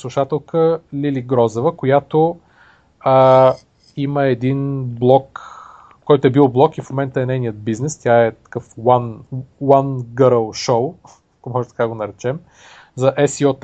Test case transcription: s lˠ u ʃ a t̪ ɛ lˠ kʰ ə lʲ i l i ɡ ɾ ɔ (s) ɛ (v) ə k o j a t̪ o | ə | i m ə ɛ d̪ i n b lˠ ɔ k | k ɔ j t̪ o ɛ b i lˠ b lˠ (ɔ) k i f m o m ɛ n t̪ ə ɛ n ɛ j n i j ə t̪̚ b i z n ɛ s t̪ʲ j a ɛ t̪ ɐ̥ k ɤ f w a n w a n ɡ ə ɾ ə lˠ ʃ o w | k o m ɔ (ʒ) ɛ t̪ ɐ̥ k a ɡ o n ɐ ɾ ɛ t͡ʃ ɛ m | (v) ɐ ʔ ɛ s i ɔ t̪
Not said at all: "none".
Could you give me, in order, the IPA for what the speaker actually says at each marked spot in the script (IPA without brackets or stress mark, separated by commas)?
z, v, ɔ, ʒ, z